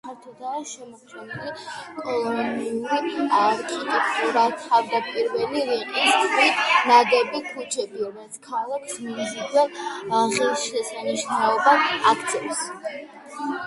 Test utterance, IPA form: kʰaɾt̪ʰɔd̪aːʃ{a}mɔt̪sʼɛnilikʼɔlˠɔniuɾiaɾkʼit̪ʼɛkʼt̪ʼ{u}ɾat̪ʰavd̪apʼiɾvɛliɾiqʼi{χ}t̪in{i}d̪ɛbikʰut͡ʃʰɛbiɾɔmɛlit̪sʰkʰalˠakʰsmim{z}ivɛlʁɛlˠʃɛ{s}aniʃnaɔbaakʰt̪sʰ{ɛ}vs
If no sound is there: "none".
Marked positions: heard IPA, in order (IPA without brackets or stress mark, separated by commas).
ɛ, u, s, a, z, s, ɛ